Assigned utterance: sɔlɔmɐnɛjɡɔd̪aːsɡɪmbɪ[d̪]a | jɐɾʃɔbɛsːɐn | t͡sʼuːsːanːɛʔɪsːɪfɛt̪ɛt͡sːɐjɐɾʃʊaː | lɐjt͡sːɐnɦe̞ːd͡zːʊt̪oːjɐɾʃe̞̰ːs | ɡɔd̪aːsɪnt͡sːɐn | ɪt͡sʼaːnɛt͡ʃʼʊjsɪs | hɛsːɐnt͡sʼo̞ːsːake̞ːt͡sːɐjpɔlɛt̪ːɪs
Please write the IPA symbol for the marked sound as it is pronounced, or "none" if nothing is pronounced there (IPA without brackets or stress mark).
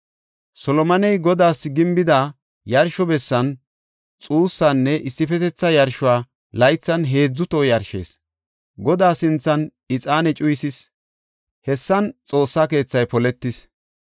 d̪